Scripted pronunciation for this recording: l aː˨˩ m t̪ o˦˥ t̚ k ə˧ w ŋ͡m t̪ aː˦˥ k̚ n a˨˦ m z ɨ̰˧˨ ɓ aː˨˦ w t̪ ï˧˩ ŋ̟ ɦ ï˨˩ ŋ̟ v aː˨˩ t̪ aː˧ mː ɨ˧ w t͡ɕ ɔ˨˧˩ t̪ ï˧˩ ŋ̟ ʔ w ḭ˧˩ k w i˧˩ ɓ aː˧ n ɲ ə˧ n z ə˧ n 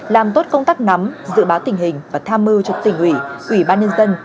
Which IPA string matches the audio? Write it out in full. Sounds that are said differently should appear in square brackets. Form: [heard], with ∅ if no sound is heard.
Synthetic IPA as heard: l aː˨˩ m t̪ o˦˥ t̚ k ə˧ w ŋ͡m t̪ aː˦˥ k̚ n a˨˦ m z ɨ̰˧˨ ɓ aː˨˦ w t̪ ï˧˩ ŋ̟ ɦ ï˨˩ ŋ̟ v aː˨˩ [t̪ʰ] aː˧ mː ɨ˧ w t͡ɕ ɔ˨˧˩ t̪ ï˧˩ ŋ̟ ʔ w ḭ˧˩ [ʔ] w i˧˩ ɓ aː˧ n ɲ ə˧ n z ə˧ n